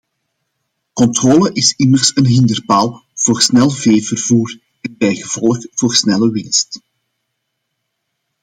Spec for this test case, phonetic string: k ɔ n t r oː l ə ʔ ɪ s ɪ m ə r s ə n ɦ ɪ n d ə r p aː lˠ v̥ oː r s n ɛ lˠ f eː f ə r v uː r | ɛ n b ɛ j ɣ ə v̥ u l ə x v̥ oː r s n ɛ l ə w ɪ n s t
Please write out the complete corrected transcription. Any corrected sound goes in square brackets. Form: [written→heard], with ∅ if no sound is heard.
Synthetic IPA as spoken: k ɔ n t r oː l ə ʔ ɪ s ɪ m ə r s ə n ɦ ɪ n d ə r p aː lˠ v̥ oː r s n ɛ lˠ [f→v] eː [f→v] ə r v uː r | ɛ n b ɛ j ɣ ə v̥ [u→ɔ] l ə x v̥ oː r s n ɛ l ə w ɪ n s t